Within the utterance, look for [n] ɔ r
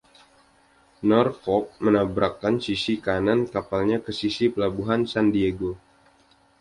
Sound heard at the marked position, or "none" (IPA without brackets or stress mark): n